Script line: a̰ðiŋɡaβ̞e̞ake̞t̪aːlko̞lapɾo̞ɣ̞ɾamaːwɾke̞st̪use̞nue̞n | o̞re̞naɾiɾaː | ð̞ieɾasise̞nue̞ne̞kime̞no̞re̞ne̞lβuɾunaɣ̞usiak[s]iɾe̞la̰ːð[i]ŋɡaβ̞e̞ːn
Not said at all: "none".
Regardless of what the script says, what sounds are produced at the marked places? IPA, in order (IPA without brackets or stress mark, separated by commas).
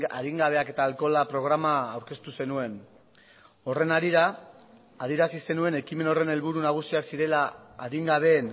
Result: s, i